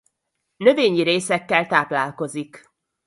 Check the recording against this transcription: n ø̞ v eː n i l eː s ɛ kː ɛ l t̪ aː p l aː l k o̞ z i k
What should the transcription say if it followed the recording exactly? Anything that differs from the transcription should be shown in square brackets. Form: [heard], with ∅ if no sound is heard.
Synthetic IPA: n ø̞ v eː [ɲ] i [ɾ] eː s ɛ kː ɛ l t̪ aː p l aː l k o̞ z i k